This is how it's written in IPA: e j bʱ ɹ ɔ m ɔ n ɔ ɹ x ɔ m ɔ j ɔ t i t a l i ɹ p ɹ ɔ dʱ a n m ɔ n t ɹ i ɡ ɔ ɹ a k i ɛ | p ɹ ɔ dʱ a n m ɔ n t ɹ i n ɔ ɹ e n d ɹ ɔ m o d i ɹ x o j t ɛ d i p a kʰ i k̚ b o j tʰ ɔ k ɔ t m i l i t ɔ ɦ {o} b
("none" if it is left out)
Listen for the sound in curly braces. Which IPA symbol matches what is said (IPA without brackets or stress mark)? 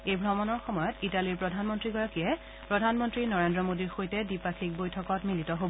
o